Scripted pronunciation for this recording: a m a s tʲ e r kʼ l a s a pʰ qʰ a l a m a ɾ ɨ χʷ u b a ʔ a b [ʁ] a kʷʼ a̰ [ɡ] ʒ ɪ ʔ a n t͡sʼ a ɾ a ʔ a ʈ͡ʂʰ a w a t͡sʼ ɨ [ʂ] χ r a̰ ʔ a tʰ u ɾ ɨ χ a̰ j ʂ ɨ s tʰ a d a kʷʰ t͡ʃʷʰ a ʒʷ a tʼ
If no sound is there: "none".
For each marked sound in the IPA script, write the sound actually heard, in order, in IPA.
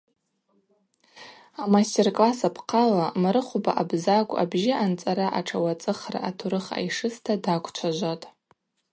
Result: z, b, none

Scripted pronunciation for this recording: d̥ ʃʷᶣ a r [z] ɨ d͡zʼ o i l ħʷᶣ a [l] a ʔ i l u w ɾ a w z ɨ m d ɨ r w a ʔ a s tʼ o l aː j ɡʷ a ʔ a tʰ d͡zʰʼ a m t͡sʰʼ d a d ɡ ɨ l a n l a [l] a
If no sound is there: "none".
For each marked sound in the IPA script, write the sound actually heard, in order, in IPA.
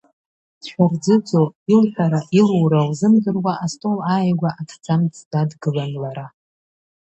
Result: d͡z, ɾ, ɾ

